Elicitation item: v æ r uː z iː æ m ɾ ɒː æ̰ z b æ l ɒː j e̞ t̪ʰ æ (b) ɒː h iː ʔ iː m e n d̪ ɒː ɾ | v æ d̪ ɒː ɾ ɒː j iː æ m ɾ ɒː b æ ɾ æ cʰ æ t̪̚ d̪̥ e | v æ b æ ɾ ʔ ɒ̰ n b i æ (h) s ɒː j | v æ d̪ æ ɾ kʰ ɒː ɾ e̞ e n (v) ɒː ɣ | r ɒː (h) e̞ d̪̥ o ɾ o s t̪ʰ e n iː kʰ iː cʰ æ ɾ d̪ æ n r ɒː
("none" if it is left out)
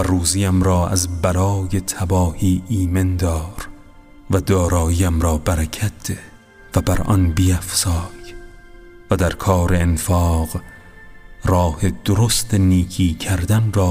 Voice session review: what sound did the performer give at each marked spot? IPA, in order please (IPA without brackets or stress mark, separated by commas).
b, f, f, h